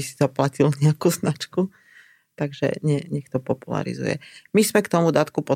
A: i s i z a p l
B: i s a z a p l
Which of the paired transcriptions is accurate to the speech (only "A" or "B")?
A